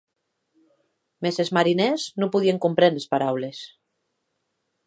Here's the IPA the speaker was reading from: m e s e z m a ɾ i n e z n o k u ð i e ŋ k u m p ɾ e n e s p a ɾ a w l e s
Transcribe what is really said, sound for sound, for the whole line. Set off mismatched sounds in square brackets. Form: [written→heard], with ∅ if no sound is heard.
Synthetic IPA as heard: m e s e z m a ɾ i n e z n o [k→p] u ð i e ŋ k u m p ɾ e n e s p a ɾ a w l e s